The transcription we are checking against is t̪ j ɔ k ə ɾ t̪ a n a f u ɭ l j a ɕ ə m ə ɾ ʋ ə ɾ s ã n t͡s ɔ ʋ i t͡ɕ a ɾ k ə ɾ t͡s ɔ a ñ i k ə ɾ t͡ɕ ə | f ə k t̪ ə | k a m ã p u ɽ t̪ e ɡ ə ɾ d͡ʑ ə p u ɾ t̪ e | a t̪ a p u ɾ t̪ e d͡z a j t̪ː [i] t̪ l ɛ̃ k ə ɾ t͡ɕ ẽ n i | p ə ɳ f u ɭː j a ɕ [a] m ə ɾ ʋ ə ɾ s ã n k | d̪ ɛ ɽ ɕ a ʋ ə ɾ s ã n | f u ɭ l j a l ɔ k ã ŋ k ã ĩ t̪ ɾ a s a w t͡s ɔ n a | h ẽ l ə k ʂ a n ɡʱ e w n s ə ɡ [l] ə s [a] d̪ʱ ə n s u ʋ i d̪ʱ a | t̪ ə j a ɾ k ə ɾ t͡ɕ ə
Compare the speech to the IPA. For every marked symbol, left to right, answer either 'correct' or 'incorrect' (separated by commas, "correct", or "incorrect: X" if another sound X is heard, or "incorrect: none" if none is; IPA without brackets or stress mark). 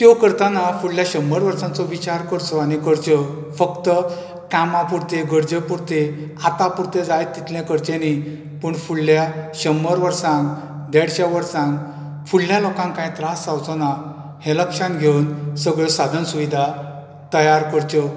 correct, incorrect: ə, incorrect: ɭ, correct